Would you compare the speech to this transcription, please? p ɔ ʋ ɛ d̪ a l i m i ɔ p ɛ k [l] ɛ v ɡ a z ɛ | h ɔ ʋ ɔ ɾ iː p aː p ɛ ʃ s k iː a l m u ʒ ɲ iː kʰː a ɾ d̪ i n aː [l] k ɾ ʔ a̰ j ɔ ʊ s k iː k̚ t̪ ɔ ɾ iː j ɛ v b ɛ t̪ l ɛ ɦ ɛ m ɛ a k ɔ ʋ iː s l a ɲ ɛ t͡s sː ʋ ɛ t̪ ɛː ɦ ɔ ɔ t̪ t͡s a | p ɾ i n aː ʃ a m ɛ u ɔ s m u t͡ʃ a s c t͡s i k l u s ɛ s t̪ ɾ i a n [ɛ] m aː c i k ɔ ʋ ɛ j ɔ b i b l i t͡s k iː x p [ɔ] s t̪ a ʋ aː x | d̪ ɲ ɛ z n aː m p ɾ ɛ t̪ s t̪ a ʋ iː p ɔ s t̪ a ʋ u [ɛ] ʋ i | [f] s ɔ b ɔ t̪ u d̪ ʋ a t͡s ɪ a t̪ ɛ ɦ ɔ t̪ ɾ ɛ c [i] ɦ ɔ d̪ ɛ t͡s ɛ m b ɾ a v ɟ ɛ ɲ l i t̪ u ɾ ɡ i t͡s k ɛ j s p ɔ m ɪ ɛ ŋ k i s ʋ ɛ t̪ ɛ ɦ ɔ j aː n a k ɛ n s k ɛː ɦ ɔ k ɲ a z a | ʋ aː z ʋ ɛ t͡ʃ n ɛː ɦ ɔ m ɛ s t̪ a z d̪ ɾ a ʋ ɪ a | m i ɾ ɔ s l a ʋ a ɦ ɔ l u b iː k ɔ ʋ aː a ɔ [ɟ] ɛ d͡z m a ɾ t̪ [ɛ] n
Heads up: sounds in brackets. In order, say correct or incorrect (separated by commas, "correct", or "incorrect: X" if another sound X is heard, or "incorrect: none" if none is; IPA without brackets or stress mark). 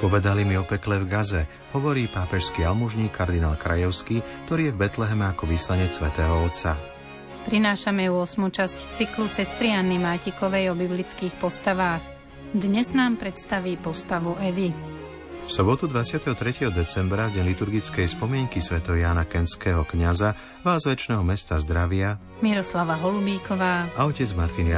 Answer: correct, correct, incorrect: i, correct, correct, correct, incorrect: ɛ, incorrect: c, incorrect: i